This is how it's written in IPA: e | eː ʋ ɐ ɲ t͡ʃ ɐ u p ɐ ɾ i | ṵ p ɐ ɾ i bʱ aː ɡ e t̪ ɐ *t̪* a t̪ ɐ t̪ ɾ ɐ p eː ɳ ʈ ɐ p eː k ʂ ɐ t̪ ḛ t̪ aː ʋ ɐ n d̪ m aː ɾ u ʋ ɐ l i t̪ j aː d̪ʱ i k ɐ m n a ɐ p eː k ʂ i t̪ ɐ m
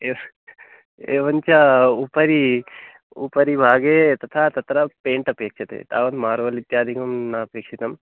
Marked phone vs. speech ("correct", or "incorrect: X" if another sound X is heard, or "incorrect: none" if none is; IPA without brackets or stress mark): incorrect: t̪ʰ